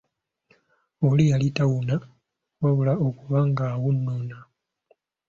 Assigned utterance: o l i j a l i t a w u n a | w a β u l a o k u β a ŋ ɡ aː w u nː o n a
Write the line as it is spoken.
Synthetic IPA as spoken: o l i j a l i t a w u n a | w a β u l a o k u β a ŋ ɡ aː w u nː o n a